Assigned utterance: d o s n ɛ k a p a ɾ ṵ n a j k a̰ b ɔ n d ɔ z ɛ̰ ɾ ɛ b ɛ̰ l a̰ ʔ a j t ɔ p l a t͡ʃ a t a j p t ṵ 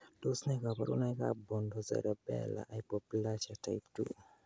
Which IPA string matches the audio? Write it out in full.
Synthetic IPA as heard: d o s n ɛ k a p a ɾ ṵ n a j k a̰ b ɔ n d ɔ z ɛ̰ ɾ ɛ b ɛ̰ l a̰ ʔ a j p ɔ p l a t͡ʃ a t a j p t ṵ